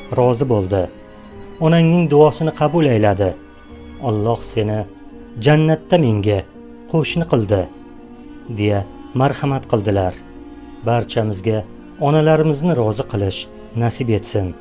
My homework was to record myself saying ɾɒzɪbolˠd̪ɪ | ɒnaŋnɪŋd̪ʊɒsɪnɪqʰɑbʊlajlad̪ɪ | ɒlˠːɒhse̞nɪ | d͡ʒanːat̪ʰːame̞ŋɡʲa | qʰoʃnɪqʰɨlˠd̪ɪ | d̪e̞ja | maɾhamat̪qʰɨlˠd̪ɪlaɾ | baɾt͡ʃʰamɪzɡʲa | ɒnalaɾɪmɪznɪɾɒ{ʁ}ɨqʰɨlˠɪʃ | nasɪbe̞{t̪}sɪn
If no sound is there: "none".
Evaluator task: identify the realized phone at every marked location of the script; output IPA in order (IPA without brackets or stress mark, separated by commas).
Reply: z, t̪